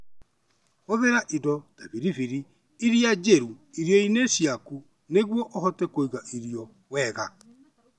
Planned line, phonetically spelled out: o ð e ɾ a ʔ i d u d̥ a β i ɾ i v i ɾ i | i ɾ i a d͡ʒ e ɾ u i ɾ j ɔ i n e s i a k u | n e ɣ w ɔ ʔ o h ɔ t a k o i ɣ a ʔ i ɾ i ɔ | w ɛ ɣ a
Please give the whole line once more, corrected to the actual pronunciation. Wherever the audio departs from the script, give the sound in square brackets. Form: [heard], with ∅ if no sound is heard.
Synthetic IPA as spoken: o ð e ɾ a ʔ i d [ɔ] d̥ a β i ɾ i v i ɾ i | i ɾ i a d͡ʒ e ɾ u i ɾ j ɔ i n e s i a k u | n e ɣ w ɔ ʔ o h ɔ t [ɛ] k o i ɣ a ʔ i ɾ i ɔ | w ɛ ɣ a

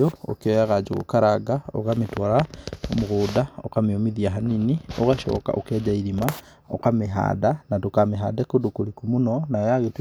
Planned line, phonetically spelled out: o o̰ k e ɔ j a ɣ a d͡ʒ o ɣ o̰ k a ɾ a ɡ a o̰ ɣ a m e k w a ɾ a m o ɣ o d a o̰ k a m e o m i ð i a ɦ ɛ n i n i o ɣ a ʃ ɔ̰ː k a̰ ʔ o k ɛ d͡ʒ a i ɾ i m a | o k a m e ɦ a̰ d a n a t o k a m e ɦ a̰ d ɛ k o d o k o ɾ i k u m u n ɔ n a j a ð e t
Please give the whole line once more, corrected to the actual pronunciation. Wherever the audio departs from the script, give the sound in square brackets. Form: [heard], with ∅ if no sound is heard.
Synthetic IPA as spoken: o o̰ k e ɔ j a ɣ a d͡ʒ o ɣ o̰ k a ɾ a ɡ a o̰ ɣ a m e [t] w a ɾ a m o ɣ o d a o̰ k a m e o m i ð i a ɦ [a] n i n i o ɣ a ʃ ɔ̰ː k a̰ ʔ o k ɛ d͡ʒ a i ɾ i m a | o k a m e ɦ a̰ d a n a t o k a m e ɦ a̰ d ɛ k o d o k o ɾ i k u m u n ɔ n a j a [ɣ] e t

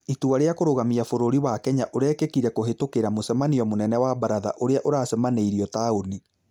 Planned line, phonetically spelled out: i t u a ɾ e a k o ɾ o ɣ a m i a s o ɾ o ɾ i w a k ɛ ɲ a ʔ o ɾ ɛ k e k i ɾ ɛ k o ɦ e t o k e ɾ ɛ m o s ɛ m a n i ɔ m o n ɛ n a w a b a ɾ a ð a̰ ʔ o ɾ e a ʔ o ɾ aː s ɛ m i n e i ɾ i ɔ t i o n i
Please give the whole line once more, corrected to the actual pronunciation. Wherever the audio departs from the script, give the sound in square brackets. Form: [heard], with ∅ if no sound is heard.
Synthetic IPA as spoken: i t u a ɾ e a k o ɾ o ɣ a m i a [f] o ɾ o ɾ i w a k ɛ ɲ a ʔ o ɾ ɛ k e k i ɾ ɛ k o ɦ e t o k e ɾ [a] m o s ɛ m a n i ɔ m o n ɛ n [ɛ] w a b a ɾ a ð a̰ ʔ o ɾ e a ʔ o ɾ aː s ɛ m [a] n e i ɾ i ɔ t [a] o n i

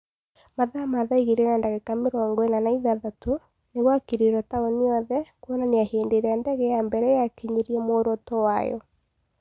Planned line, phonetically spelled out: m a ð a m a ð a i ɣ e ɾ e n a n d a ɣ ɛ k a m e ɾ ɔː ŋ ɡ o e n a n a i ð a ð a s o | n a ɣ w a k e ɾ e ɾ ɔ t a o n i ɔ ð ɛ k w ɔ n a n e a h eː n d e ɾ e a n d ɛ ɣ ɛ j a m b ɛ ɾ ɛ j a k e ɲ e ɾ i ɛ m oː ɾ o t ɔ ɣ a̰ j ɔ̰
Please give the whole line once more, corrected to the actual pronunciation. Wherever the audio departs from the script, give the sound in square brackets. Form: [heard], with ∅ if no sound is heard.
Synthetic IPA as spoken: m a ð a m a ð a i ɣ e ɾ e n a n d a ɣ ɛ k a m e ɾ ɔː ŋ ɡ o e n a n a i ð a ð a [t] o | n [e] ɣ w a k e ɾ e ɾ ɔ t a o n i ɔ ð ɛ k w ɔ n a n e a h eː n d e ɾ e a n d ɛ ɣ ɛ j a m b ɛ ɾ ɛ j a k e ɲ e ɾ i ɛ m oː ɾ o t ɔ [w] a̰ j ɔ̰

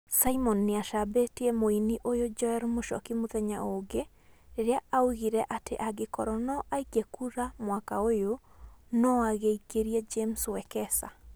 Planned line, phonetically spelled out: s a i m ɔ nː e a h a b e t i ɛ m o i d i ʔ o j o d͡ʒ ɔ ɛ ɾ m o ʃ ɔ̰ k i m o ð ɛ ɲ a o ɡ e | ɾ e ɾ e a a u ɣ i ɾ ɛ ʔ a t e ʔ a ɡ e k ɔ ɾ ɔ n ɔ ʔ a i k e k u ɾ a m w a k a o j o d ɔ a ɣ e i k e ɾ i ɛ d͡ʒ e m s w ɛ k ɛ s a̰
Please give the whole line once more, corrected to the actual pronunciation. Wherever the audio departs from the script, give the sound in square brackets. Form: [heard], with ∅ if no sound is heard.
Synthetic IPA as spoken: s a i m ɔ nː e a [ʃ] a b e t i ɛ m o i [n] i ʔ o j o d͡ʒ ɔ ɛ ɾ m o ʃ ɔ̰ k i m o ð ɛ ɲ a o ɡ e | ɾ e ɾ e a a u ɣ i ɾ ɛ ʔ a t e ʔ a ɡ e k ɔ ɾ ɔ n ɔ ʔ a i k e k u ɾ a m w a k a o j o [n] ɔ a ɣ e i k e ɾ i ɛ d͡ʒ e m s w ɛ k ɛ s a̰

